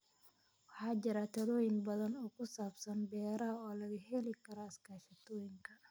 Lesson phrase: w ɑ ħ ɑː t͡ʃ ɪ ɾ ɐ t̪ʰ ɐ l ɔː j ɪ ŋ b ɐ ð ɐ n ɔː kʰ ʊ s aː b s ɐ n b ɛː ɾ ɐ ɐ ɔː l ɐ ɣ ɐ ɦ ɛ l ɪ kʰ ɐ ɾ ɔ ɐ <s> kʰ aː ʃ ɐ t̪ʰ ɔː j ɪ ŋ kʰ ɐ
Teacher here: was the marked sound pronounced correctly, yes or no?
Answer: yes